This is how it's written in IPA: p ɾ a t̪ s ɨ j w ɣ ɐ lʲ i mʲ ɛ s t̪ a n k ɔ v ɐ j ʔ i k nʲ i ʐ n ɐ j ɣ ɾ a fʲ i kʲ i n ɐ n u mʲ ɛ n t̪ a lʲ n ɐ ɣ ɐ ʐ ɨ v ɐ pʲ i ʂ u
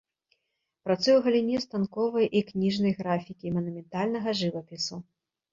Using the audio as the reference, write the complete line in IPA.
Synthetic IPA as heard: p ɾ a t̪ s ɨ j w ɣ ɐ lʲ i nʲ ɛ s t̪ a n k ɔ v ɐ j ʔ i k nʲ i ʐ n ɐ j ɣ ɾ a fʲ i kʲ i m ɐ n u mʲ ɛ n t̪ a lʲ n ɐ ɣ ɐ ʐ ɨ v ɐ pʲ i s u